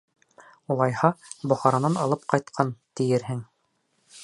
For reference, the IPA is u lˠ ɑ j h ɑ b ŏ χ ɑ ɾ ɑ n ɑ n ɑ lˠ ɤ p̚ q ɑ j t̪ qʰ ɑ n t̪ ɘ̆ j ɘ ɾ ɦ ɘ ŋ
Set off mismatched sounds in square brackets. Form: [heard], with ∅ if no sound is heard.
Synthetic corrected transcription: u lˠ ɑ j h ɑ b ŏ χ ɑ ɾ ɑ n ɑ n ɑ lˠ ɤ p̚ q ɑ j t̪ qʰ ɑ n t̪ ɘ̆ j ɘ ɾ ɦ ɘ ŋ